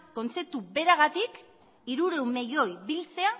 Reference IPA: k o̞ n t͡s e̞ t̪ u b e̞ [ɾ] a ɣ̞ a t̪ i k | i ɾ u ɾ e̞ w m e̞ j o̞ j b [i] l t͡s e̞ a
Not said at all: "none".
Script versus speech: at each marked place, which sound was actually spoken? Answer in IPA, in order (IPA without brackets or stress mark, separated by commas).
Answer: ɾ, i